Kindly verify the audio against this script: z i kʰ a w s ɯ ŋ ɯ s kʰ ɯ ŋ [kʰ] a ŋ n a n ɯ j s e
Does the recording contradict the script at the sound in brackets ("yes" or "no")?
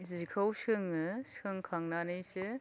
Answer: no